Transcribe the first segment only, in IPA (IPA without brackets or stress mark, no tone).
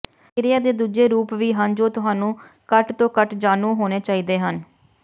ɾ